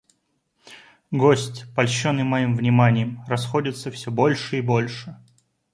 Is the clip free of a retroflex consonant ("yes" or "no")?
no